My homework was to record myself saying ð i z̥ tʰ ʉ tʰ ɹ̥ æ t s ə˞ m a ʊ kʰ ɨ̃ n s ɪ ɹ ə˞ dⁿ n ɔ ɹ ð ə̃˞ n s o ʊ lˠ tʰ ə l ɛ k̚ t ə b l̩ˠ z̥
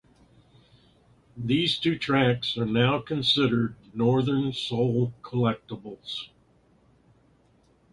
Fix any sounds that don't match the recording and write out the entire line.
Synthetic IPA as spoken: ð i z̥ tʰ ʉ tʰ ɹ̥ æ k s ə˞ n a ʊ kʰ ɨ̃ n s ɪ ɾ ə˞ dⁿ n ɔ ɹ ð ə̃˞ n s o ʊ lˠ kʰ ə l ɛ k̚ t ə b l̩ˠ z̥